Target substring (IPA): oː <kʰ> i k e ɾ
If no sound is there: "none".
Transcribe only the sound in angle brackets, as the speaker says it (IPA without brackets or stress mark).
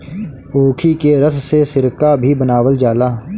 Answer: kʰ